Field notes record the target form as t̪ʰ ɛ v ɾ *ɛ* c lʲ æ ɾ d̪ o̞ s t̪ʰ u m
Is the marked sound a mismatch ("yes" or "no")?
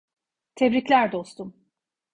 yes